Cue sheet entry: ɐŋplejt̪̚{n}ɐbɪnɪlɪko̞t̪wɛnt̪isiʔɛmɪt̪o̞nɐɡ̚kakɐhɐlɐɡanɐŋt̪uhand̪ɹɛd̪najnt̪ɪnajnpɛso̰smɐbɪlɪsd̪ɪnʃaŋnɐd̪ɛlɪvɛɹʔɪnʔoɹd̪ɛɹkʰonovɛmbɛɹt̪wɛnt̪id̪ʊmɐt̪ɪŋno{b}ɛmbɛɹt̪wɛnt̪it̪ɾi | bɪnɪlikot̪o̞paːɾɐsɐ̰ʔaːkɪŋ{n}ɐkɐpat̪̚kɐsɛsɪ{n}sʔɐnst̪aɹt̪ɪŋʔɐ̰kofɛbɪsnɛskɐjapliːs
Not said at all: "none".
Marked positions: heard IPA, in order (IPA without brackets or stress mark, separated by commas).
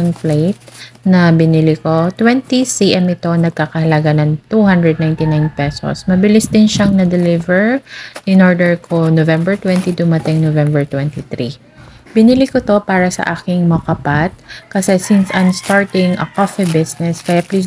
n, v, m, n